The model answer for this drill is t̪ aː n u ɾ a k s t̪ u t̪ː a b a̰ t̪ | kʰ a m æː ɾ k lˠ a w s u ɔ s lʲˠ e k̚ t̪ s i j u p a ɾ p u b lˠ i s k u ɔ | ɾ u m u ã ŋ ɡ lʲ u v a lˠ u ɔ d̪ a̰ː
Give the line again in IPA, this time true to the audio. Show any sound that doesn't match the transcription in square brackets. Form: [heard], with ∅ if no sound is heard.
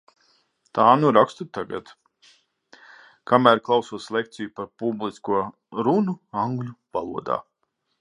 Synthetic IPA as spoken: t̪ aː n u ɾ a k s t̪ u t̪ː a [ɡ] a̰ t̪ | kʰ a m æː ɾ k lˠ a w s u ɔ s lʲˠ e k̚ t̪ s i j u p a ɾ p u b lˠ i s k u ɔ | ɾ u [n] u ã ŋ ɡ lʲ u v a lˠ u ɔ d̪ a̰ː